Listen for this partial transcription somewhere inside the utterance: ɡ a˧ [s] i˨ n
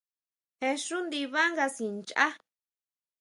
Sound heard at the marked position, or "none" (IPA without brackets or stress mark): s